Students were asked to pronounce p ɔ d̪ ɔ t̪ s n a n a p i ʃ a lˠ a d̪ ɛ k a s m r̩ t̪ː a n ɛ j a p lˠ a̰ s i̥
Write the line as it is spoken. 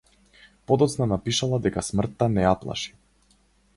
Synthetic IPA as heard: p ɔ d̪ ɔ t̪ s n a n a p i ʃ a lˠ a d̪ ɛ k a s m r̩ t̪ː a n ɛ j a p lˠ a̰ ʃ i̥